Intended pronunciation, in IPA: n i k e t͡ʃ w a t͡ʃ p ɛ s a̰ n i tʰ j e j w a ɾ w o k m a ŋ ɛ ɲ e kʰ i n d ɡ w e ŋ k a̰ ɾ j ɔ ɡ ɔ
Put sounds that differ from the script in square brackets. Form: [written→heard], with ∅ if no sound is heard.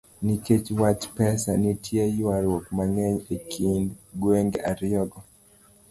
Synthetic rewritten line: n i k e t͡ʃ w a t͡ʃ p ɛ s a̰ n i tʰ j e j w a ɾ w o k m a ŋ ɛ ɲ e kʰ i n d ɡ w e ŋ [k→ɡ] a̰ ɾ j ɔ ɡ ɔ